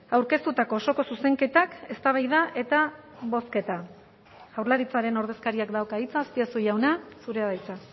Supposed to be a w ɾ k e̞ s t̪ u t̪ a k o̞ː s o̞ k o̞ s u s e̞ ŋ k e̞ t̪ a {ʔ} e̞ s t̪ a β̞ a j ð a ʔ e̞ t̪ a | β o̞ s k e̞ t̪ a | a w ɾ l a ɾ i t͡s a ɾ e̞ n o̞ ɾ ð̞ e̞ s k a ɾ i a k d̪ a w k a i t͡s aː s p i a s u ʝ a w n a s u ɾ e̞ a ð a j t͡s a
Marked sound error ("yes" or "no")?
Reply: yes